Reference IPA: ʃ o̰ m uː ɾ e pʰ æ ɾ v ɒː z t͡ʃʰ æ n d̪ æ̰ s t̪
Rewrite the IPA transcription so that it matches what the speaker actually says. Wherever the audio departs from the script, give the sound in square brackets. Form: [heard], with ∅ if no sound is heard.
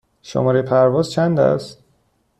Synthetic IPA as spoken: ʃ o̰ m [ɒː] ɾ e pʰ æ ɾ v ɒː z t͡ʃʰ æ n d̪ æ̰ s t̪